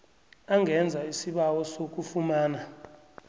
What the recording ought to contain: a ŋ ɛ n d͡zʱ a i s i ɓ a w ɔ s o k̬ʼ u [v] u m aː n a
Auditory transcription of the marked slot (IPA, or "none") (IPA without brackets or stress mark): f